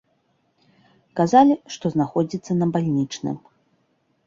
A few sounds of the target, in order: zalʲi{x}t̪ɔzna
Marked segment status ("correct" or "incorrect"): incorrect